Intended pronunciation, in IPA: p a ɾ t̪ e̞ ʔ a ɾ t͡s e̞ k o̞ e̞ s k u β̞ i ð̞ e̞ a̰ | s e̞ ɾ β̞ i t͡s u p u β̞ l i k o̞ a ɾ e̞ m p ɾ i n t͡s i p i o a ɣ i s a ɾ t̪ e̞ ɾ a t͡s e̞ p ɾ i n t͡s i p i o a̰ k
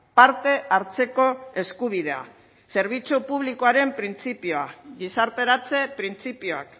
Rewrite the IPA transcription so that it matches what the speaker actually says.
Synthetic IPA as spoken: p a ɾ t̪ e̞ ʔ a ɾ t͡s e̞ k o̞ e̞ s k u β̞ i ð̞ e̞ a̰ | s e̞ ɾ β̞ i t͡s u p u β̞ l i k o̞ a ɾ e̞ m p ɾ i n t͡s i p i o a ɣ i s a ɾ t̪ e̞ ɾ a t͡s e̞ p ɾ i n t͡s i p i o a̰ k